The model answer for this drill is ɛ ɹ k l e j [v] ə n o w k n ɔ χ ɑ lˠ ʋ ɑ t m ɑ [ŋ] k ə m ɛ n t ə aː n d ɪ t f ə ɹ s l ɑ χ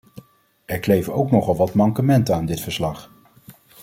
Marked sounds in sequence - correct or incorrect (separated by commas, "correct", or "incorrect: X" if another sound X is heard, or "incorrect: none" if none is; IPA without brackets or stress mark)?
correct, correct